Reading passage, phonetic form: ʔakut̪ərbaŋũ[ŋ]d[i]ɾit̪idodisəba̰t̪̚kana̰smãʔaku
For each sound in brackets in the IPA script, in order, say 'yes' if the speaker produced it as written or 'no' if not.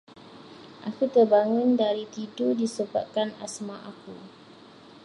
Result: no, no

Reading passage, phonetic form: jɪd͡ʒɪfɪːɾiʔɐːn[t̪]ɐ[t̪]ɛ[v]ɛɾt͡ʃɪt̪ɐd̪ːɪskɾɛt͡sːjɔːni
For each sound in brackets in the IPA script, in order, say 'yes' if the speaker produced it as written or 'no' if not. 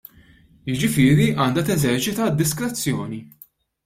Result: no, yes, no

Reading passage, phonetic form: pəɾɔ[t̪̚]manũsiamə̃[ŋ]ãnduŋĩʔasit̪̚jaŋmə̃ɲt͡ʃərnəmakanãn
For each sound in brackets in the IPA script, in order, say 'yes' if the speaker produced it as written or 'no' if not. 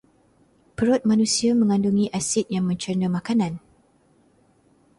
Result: yes, yes

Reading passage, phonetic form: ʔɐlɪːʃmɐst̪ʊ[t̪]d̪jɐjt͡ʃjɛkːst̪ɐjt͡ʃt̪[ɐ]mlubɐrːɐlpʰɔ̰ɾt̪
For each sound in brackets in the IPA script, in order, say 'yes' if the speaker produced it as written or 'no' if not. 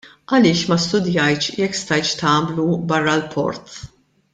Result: no, no

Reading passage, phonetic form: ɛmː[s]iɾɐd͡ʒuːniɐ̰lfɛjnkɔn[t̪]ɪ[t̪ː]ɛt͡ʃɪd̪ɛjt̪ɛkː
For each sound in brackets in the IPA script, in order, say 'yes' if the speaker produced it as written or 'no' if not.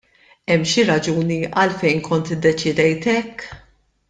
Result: no, yes, no

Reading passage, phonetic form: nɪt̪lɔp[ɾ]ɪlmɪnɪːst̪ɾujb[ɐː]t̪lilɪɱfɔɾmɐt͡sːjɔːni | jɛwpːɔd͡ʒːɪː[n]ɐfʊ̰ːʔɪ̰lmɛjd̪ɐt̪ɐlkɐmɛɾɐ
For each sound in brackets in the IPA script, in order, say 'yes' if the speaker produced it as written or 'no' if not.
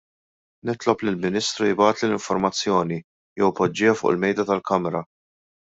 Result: no, yes, no

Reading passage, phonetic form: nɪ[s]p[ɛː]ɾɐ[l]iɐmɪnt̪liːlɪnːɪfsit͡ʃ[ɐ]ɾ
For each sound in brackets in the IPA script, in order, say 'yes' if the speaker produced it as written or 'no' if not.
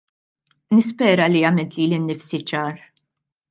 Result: yes, yes, yes, no

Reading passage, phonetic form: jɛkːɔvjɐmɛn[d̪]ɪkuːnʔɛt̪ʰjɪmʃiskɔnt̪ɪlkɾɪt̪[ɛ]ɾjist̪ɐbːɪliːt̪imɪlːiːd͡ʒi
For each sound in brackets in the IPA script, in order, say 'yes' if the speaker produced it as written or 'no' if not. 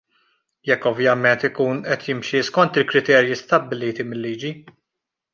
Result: no, no

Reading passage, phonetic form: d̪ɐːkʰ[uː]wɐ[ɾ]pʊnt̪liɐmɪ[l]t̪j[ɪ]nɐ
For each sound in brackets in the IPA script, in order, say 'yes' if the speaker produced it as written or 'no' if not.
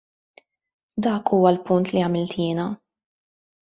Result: yes, no, yes, no

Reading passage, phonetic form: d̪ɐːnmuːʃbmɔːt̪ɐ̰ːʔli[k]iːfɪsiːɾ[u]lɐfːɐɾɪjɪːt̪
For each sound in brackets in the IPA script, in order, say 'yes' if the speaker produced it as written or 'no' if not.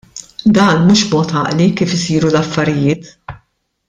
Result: yes, yes

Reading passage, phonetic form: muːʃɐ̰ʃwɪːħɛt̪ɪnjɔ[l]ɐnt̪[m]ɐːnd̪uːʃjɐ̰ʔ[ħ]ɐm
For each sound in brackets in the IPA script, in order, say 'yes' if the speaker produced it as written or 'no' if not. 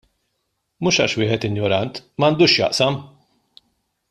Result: no, yes, no

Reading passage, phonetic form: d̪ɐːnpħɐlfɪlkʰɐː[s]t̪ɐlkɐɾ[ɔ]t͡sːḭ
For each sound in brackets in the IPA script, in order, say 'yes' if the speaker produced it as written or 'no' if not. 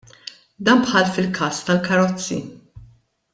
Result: yes, yes

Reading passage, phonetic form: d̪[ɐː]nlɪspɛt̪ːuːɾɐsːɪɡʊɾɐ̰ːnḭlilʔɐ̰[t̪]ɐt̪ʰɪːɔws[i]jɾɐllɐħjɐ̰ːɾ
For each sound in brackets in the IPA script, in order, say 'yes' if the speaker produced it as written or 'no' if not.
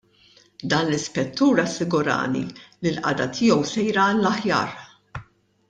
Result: yes, no, no

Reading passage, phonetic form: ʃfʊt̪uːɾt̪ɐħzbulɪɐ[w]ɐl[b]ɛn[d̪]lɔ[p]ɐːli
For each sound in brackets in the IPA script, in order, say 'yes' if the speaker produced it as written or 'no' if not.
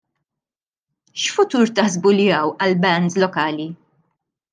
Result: yes, yes, yes, no

